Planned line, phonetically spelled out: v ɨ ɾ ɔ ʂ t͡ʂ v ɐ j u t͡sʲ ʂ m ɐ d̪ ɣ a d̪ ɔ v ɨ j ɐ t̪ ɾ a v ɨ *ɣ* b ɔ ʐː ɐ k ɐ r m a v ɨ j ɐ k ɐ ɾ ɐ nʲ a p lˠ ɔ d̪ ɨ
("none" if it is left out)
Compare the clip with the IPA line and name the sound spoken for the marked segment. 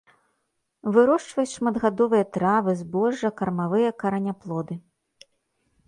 z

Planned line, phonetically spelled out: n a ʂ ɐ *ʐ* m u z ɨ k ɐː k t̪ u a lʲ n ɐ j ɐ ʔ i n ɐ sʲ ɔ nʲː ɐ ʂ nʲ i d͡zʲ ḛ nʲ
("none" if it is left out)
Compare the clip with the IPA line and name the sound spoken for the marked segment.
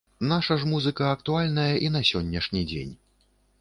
ʐ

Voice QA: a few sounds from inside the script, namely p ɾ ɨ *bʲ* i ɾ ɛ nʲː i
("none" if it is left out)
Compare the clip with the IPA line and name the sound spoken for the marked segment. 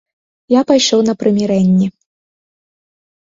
mʲ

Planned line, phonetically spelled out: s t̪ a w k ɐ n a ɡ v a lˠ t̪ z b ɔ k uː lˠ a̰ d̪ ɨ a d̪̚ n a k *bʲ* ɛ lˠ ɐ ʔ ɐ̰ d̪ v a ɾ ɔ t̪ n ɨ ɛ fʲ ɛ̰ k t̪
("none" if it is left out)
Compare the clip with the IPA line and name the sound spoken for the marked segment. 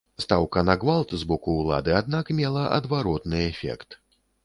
mʲ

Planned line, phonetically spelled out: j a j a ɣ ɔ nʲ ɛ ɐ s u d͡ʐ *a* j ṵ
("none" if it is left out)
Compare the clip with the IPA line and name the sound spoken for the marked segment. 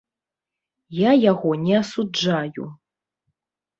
a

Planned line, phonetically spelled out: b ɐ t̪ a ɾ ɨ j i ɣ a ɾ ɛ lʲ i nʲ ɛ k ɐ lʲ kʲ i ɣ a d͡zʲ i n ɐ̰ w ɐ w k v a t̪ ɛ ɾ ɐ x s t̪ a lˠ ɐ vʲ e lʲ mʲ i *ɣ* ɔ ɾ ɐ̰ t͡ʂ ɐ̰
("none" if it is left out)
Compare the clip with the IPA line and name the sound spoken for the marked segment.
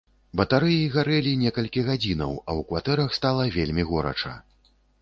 ɣ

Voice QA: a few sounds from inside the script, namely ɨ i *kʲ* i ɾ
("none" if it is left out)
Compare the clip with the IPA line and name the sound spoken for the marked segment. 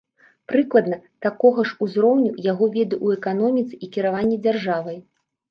kʲ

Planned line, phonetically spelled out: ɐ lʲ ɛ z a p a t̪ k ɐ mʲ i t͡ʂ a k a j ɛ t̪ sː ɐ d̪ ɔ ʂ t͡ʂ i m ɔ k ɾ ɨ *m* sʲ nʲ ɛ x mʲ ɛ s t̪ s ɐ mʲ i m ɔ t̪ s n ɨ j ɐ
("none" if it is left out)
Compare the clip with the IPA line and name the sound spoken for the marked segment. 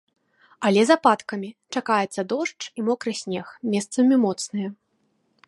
none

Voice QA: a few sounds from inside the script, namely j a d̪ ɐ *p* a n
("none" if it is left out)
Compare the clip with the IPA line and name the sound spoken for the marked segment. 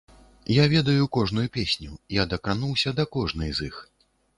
k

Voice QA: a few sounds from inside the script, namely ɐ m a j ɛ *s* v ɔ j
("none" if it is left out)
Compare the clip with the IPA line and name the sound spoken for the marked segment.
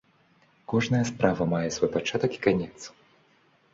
s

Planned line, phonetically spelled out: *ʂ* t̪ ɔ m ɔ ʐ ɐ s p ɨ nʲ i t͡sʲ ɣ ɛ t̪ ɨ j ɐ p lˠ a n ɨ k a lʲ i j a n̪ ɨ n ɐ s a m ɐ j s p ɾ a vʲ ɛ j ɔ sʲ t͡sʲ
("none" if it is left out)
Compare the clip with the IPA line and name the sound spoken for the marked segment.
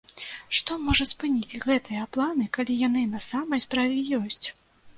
ʂ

